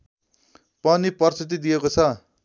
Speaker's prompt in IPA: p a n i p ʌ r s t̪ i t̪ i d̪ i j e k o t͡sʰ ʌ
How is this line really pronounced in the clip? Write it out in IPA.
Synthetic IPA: p ʌ n i p ʌ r s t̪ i t̪ i d̪ i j e k o t͡sʰ ʌ